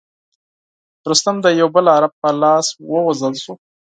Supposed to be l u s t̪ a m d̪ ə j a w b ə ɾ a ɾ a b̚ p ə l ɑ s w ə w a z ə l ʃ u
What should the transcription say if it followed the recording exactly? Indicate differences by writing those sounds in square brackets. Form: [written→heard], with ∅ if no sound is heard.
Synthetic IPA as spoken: [l→ɾ] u s t̪ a m d̪ ə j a w b ə [ɾ→l] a ɾ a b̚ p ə l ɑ s w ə w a z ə l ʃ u